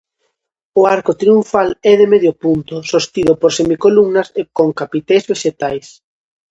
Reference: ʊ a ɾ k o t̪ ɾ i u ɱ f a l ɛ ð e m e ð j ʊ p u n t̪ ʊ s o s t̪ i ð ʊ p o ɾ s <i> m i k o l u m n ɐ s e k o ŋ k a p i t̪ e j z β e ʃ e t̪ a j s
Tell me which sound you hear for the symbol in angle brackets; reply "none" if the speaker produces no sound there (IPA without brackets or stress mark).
e